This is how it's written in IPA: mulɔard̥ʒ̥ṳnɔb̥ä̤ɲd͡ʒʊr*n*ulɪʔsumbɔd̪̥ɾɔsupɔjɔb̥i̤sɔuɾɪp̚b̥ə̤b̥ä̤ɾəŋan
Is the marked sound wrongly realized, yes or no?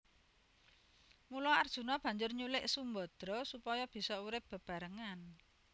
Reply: yes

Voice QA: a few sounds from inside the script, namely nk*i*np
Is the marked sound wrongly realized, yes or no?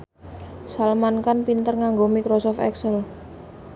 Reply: yes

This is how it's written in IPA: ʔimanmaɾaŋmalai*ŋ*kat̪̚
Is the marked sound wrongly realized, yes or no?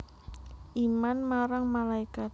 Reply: yes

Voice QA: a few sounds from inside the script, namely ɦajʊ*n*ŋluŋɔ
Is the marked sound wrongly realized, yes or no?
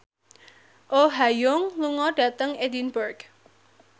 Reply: yes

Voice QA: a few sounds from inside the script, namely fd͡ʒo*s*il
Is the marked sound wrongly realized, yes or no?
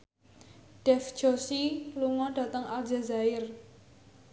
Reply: no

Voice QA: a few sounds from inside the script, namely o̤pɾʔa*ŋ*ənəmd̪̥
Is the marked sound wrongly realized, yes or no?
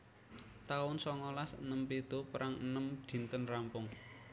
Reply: no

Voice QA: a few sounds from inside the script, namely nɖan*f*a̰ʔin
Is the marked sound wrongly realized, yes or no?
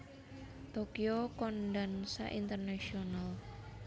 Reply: yes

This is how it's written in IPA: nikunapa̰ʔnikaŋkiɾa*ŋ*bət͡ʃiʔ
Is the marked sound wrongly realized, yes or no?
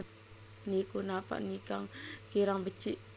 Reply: no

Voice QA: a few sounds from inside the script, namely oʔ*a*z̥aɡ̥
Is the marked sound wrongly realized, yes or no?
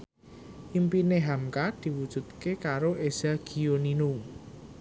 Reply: yes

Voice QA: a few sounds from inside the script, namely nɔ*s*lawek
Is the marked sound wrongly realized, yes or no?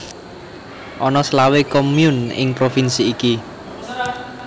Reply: no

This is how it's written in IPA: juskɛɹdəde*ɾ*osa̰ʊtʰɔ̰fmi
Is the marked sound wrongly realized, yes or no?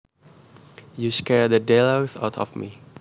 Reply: yes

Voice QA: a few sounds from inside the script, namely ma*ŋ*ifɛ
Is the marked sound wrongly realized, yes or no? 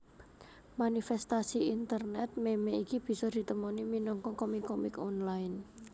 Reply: yes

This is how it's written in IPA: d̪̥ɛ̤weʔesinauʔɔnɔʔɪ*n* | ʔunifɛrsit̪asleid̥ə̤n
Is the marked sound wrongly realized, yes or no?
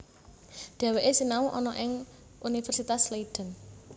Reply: yes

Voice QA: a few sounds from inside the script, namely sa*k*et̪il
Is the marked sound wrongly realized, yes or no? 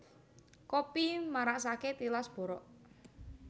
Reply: no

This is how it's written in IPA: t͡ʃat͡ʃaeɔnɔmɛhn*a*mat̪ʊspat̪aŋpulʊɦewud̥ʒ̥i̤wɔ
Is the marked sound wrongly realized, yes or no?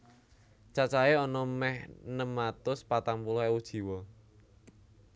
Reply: yes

